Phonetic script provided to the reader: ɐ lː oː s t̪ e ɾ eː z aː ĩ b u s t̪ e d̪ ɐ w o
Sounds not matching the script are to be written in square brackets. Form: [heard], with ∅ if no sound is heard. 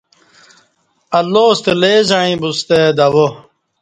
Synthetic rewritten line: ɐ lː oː s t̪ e [l] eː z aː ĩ b u s t̪ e d̪ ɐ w o